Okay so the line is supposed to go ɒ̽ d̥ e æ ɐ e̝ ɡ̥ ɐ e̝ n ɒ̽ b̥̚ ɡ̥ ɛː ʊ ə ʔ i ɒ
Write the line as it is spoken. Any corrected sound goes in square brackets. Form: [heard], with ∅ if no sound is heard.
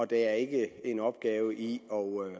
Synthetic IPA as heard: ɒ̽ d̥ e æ ɐ e̝ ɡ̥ [ə] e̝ n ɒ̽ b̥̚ ɡ̥ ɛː ʊ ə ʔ i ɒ